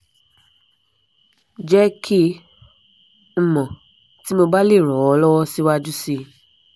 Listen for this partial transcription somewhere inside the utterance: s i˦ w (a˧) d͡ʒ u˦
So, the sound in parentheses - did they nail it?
yes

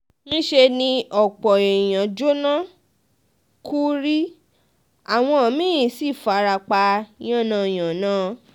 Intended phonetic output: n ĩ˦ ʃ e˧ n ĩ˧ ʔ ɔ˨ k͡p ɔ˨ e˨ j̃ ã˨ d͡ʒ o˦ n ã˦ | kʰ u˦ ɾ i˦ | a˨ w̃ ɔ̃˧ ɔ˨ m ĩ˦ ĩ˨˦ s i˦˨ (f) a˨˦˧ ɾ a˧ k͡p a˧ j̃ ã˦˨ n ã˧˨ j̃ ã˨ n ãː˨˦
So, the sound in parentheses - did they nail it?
yes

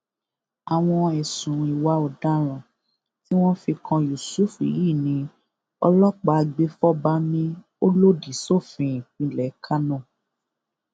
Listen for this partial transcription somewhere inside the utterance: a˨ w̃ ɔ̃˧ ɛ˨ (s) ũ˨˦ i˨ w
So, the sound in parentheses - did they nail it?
yes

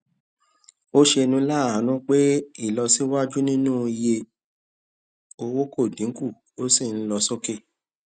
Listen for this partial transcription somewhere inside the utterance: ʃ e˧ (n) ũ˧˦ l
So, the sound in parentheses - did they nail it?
yes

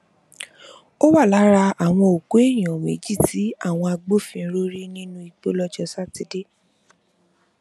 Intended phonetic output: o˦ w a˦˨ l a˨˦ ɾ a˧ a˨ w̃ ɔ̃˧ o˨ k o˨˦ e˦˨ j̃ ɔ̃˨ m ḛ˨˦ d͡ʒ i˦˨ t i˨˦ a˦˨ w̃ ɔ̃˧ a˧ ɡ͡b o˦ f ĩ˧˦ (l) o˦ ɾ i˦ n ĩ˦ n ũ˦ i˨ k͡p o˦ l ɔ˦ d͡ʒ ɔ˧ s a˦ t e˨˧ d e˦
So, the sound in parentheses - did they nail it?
no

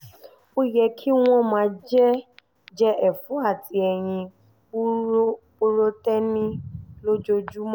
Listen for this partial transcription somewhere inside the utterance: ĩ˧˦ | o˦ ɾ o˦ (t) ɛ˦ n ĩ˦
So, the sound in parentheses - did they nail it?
yes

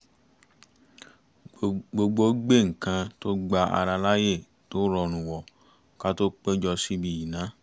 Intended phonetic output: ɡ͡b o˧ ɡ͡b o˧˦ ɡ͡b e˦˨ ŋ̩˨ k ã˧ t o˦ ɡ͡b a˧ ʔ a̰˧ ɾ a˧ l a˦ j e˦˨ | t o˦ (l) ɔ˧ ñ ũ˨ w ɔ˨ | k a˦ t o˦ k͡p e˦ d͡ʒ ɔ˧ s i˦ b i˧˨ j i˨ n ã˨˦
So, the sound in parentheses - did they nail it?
no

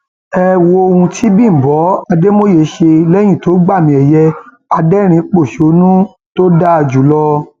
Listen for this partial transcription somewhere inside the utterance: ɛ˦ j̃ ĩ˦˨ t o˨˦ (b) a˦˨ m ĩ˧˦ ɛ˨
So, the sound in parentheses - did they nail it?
no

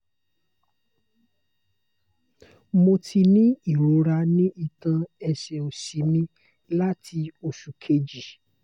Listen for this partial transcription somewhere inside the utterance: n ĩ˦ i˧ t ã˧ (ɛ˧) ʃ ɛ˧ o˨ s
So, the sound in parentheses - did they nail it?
yes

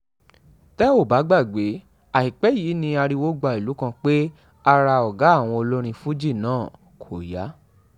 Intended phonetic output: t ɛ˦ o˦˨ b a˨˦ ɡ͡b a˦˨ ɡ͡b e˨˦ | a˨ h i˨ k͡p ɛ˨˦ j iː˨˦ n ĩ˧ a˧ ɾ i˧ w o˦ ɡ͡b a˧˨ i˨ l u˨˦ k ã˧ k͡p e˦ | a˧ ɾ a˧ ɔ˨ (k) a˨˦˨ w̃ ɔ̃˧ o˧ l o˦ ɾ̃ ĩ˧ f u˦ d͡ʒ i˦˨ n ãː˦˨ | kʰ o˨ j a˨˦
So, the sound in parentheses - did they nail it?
no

